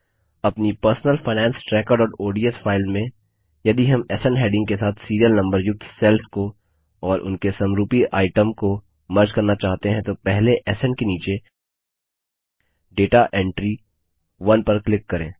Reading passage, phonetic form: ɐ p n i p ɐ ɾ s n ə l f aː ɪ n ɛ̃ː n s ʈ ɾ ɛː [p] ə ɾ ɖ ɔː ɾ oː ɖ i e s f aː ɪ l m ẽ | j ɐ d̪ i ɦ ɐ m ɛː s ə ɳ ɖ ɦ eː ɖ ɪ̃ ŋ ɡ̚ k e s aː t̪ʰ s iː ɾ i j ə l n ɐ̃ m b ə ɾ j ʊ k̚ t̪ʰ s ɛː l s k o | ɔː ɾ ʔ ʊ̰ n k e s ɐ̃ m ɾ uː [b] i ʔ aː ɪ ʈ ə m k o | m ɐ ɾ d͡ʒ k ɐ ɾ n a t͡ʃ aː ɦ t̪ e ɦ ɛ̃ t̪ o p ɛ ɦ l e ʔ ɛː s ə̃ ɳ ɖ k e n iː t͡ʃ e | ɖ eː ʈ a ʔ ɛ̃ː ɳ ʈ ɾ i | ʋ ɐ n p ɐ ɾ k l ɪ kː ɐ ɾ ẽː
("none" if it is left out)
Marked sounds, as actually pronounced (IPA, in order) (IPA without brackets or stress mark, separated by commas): k, p